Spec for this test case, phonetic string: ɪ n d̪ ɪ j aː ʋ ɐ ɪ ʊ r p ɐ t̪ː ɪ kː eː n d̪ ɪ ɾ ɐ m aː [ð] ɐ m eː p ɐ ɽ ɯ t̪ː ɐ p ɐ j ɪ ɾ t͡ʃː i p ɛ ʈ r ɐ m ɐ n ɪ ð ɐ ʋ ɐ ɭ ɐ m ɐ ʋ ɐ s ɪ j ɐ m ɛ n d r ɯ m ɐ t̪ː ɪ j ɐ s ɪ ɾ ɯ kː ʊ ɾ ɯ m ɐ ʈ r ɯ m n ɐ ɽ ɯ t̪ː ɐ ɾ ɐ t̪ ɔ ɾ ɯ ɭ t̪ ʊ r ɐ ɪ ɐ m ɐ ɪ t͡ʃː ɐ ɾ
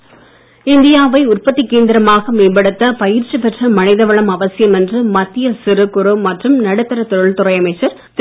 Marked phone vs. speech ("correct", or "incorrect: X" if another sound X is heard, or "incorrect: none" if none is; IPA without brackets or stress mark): incorrect: ɣ